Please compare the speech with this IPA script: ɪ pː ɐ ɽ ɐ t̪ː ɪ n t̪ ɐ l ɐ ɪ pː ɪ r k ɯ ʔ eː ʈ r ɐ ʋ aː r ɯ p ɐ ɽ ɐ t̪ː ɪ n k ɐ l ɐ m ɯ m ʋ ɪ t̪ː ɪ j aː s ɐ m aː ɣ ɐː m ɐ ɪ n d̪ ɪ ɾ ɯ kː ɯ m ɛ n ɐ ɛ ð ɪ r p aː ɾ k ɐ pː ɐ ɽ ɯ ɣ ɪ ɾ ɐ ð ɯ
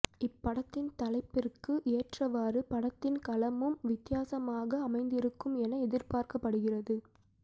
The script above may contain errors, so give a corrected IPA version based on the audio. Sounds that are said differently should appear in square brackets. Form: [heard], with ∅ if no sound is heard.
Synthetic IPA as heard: ɪ pː ɐ ɽ ɐ t̪ː ɪ n t̪ ɐ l ɐ ɪ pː ɪ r k ɯ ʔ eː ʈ r ɐ ʋ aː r ɯ p ɐ ɽ ɐ t̪ː ɪ n k ɐ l ɐ m ɯ m ʋ ɪ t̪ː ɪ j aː s ɐ m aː ɣ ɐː m ɐ ɪ n d̪ ɪ ɾ ɯ kː ɯ m ɛ n ɐ ɛ ð ɪ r p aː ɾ k ɐ pː ɐ ɽ ɯ ɣ ɪ [r] ɐ ð ɯ